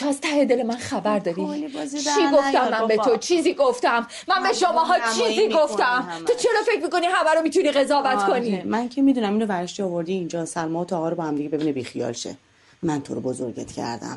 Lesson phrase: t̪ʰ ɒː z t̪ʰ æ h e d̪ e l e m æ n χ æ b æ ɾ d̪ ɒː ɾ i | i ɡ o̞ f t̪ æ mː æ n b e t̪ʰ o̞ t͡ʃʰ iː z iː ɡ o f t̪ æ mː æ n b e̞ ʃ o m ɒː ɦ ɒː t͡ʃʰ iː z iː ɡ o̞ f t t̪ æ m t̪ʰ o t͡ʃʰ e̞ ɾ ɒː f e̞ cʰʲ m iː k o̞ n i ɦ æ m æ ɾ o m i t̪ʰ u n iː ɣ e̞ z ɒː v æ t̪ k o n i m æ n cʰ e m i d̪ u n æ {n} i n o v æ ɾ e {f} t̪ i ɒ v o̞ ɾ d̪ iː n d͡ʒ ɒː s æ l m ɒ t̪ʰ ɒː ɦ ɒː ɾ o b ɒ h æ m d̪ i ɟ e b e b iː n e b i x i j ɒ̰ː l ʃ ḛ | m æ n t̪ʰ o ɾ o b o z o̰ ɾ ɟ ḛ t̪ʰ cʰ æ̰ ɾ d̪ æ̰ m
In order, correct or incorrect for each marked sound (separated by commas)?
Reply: incorrect, incorrect